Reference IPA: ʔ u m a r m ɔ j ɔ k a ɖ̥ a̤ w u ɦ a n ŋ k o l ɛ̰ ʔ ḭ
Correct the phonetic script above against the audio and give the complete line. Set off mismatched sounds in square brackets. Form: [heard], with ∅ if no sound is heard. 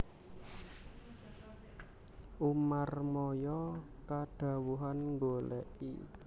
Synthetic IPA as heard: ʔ u m a r m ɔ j ɔ k a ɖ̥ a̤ w u ɦ a n ŋ [ɡ] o l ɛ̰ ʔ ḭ